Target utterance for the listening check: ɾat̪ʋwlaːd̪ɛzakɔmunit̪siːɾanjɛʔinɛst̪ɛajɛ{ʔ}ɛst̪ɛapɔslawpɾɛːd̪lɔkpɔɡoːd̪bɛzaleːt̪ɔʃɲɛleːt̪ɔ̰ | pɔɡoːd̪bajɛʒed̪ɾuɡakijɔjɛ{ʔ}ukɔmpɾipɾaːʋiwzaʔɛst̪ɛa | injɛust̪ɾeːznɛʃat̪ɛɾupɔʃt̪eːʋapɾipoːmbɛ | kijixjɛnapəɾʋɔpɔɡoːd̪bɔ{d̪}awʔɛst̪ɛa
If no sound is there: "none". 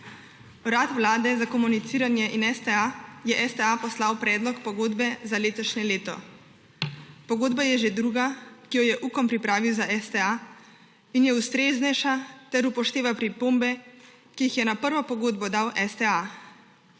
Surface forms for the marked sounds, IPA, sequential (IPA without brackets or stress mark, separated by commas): ʔ, ʔ, d̪